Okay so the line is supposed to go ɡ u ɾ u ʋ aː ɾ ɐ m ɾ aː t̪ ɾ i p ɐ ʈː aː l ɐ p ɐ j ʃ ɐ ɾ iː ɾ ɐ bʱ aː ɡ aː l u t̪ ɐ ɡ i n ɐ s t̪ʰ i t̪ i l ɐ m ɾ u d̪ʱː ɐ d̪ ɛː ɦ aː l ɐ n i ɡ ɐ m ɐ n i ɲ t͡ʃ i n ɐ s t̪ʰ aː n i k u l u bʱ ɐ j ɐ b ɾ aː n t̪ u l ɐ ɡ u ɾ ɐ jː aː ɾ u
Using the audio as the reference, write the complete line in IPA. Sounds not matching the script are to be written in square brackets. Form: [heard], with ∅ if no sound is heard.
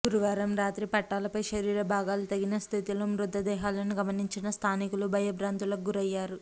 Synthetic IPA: ɡ u ɾ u ʋ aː ɾ ɐ m ɾ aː t̪ ɾ i p ɐ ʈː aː l ɐ p ɐ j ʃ ɐ ɾ iː ɾ ɐ bʱ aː ɡ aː l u t̪ ɐ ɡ i n ɐ s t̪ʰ i t̪ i l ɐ m ɾ u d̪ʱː ɐ d̪ ɛː ɦ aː l ɐ n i ɡ ɐ m ɐ n i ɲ t͡ʃ i n ɐ s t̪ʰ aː n i k u l u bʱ ɐ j ɐ b ɾ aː n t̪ u l ɐ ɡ u ɾ ɐ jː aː ɾ u